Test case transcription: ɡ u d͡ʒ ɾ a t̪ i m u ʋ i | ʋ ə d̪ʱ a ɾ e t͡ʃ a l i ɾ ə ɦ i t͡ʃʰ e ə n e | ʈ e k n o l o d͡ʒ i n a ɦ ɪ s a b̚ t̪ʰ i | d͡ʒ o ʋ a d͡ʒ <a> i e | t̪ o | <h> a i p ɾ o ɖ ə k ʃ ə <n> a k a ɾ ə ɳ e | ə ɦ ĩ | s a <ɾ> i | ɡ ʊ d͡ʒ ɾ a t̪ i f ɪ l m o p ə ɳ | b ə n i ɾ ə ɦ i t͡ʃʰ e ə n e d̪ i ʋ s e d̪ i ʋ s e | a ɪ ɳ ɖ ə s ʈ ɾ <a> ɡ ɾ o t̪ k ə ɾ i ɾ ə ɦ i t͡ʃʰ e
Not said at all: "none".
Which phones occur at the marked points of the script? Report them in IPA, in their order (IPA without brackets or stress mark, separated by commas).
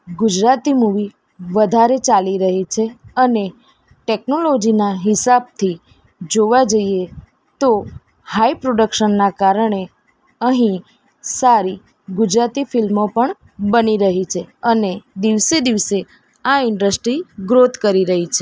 ə, h, nː, ɾ, i